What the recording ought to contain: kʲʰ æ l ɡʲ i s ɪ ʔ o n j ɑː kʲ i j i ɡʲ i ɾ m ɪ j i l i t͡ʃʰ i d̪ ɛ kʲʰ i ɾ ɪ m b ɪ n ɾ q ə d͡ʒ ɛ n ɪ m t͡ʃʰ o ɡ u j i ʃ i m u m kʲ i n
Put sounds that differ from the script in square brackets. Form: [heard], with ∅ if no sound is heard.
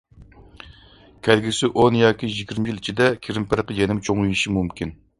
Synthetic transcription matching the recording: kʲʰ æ l ɡʲ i s ɪ ʔ o n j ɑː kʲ i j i ɡʲ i ɾ m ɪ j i l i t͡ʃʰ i d̪ ɛ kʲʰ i ɾ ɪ m [p] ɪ [∅] ɾ q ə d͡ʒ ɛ n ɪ m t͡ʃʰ o [ŋ] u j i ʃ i m u m kʲ i n